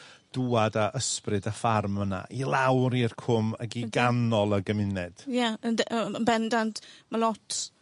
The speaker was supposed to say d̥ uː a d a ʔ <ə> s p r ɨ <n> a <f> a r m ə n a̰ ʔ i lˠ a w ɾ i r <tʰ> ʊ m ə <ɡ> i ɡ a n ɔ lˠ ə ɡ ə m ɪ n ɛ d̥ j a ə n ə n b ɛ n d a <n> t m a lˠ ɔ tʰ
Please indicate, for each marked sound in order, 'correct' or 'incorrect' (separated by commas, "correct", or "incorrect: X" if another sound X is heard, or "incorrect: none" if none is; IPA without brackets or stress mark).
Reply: correct, incorrect: d, correct, incorrect: kʰ, correct, correct